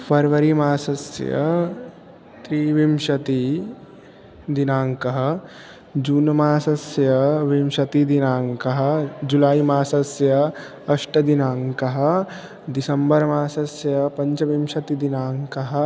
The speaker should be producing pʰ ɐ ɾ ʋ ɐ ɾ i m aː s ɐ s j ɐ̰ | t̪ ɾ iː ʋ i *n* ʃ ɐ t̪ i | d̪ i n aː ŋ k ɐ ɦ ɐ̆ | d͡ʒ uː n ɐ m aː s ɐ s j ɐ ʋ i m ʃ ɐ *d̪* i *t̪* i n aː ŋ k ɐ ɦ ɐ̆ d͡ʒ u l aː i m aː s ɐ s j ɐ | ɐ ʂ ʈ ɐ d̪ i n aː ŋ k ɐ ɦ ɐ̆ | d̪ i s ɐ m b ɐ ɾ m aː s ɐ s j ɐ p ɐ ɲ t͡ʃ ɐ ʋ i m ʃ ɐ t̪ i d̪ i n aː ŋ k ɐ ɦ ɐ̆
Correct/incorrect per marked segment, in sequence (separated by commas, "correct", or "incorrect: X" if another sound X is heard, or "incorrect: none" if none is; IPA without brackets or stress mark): incorrect: m, incorrect: t̪, incorrect: d̪